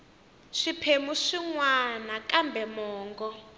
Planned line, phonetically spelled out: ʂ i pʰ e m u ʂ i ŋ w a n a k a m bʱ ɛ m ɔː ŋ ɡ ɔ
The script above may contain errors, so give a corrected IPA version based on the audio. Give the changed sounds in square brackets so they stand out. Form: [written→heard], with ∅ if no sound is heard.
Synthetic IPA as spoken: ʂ i pʰ e m u ʂ i ŋ w a n a k a m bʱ ɛ m ɔː ŋ ɡ ɔ